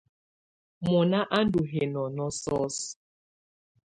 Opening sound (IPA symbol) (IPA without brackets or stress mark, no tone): m